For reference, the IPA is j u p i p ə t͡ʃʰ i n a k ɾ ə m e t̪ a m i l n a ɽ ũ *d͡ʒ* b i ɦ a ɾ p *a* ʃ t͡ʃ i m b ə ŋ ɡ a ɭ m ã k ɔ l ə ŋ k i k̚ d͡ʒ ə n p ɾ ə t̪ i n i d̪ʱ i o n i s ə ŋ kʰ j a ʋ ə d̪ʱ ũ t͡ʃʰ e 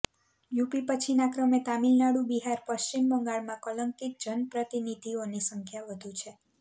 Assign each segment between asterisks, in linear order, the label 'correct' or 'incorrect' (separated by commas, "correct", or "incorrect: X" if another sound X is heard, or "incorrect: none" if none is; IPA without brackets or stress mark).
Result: incorrect: none, incorrect: ə